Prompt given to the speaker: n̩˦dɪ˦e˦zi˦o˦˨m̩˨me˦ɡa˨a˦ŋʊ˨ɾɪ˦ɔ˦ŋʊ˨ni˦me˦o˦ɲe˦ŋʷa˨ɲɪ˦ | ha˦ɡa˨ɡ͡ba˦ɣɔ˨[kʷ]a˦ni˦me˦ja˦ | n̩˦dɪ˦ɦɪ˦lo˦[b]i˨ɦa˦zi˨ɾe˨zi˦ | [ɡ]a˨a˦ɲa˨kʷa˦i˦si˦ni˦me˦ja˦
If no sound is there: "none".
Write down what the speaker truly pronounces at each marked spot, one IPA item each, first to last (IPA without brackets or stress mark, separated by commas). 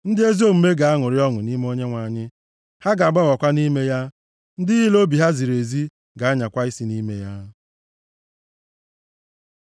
kʷ, b, ɡ